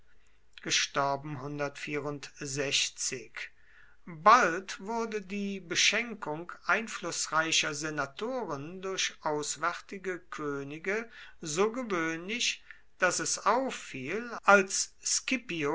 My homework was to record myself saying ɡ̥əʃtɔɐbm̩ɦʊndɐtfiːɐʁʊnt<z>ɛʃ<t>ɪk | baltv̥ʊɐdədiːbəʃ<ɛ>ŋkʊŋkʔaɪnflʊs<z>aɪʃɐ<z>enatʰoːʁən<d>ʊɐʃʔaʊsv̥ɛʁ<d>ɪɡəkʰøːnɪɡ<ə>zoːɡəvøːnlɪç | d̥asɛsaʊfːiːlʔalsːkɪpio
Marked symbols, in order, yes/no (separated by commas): yes, no, yes, no, yes, yes, no, yes